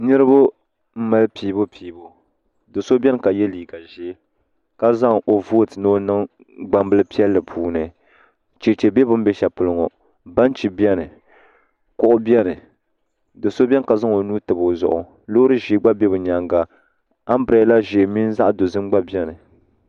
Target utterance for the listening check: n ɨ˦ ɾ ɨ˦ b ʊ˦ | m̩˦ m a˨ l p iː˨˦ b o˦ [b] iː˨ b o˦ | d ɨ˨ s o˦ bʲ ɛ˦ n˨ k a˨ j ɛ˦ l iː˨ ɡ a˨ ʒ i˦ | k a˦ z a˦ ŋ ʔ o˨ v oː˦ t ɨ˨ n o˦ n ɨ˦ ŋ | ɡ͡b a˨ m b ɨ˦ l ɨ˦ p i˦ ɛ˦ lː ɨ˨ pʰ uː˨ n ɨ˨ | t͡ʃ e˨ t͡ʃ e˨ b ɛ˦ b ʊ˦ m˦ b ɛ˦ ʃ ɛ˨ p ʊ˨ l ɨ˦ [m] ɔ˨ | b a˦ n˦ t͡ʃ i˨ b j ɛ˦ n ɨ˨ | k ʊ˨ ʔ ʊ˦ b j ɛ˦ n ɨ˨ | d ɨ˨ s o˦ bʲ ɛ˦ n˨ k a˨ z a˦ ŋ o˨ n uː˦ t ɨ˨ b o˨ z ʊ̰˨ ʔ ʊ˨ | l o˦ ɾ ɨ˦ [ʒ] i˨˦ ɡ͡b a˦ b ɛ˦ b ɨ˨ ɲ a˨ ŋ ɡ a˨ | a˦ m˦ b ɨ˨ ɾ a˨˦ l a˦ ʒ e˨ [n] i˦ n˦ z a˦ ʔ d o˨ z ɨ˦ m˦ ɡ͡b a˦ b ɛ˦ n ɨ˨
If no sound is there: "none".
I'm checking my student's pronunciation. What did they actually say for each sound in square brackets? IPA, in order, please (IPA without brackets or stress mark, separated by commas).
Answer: p, ŋ, ʒ, m